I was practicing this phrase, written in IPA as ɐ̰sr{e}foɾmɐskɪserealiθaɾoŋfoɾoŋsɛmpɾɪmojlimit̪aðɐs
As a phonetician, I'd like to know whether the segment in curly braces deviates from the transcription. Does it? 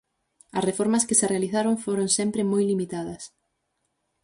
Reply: no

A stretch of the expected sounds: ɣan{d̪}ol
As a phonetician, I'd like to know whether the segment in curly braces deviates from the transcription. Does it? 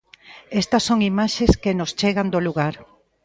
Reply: no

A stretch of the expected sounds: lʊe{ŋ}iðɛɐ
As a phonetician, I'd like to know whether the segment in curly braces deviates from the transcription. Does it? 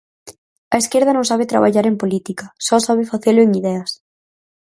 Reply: no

